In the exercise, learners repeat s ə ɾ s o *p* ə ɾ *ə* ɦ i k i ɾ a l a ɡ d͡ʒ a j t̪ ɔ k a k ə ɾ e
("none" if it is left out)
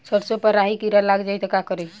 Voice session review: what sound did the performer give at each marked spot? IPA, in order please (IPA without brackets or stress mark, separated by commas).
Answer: p, a